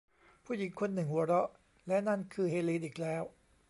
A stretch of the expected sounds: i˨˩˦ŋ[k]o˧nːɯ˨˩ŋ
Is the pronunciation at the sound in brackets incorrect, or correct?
incorrect